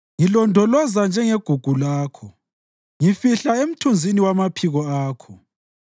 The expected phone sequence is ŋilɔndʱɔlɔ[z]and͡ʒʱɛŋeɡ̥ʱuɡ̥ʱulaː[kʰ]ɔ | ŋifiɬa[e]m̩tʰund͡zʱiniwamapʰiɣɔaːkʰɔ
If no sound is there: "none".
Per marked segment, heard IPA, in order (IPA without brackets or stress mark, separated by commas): z, kʰ, e